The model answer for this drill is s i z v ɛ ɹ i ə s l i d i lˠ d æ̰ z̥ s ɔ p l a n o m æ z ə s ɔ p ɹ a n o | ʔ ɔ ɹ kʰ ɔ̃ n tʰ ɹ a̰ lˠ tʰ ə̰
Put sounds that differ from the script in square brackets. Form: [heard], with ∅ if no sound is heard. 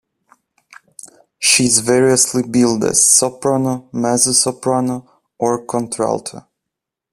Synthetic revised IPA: [ʃ] i z v ɛ ɹ i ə s l i [b] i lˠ d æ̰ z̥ s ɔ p [ɹ] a n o m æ z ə s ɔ p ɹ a n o | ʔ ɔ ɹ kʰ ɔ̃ n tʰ ɹ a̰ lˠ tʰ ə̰